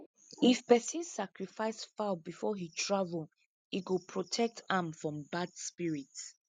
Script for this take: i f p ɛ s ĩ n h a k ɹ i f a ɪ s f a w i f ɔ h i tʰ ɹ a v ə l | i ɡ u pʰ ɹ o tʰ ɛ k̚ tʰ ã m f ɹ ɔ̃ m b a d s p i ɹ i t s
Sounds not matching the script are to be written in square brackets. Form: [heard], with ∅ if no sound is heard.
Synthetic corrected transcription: i f p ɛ s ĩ n [s] a k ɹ i f a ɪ s f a [b] i f ɔ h i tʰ ɹ a v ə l | i ɡ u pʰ ɹ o tʰ ɛ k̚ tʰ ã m f ɹ ɔ̃ m b a d s p i ɹ i t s